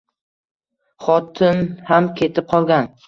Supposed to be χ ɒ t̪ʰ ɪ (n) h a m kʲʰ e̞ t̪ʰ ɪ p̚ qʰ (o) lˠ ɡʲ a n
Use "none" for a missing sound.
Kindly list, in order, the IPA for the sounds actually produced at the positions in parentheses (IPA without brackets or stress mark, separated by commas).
n, ɒ